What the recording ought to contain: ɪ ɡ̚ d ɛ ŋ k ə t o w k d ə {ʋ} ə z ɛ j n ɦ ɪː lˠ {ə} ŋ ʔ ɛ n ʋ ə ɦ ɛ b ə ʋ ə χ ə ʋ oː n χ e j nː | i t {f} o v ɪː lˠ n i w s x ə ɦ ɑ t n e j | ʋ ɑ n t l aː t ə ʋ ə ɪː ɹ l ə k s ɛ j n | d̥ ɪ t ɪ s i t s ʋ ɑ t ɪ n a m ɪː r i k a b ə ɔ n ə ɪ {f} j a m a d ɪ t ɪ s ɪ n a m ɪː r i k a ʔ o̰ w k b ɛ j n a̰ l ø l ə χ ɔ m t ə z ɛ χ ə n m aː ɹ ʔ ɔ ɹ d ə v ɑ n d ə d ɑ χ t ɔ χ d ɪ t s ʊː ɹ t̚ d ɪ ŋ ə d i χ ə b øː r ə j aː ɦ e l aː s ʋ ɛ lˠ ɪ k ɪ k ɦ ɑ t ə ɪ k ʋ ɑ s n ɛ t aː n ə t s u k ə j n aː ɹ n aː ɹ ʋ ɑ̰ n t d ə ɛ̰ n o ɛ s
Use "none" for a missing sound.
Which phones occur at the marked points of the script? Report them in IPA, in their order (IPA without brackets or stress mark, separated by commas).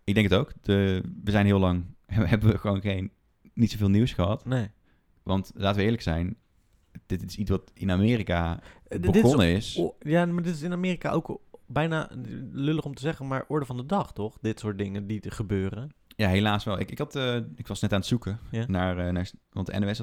ʋ, ɑ, s, s